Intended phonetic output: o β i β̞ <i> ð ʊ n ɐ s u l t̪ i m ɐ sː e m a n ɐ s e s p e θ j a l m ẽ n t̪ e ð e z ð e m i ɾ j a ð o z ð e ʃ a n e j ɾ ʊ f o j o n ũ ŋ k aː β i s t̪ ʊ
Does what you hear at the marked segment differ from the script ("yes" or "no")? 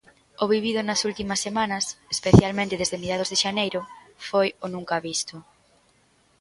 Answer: no